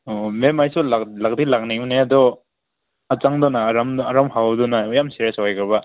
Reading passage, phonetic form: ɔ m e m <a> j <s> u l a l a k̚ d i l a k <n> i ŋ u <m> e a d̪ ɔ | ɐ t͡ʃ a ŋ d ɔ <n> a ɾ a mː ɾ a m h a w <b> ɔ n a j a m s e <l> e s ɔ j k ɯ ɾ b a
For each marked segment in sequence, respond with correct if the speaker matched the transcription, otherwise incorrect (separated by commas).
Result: correct, correct, correct, incorrect, correct, incorrect, incorrect